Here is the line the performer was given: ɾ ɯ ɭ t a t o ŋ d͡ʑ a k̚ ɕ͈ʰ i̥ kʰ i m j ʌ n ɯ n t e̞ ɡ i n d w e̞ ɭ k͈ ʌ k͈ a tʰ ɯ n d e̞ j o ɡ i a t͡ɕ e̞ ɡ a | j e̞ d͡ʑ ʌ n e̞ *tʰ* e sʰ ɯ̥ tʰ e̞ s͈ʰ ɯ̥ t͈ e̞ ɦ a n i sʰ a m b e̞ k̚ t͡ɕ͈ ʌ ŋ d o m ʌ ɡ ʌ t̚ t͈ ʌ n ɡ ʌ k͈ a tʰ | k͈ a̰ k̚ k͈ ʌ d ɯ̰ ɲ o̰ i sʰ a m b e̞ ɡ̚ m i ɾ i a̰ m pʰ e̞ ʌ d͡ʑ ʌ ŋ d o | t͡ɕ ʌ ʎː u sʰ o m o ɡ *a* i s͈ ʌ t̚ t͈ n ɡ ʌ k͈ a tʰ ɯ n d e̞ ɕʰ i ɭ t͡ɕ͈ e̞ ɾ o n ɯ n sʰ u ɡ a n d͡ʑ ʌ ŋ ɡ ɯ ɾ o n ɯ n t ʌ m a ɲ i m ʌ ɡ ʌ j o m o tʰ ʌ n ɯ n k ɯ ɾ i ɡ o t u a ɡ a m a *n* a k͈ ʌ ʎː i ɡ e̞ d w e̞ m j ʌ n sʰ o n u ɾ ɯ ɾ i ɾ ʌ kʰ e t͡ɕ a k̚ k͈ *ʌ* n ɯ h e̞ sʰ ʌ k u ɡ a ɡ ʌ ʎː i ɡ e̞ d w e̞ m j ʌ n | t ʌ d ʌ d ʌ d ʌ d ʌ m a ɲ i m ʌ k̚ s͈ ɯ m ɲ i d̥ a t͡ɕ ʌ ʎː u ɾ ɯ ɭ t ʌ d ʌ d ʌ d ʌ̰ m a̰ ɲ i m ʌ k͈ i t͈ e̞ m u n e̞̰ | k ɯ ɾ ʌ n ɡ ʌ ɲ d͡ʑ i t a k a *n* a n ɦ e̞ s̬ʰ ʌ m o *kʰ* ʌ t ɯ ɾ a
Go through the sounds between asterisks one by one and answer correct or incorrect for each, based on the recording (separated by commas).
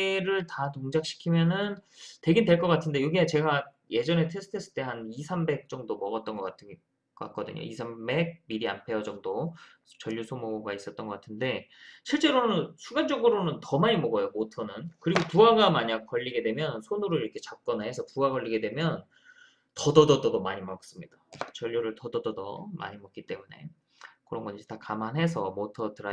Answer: correct, correct, incorrect, correct, incorrect, incorrect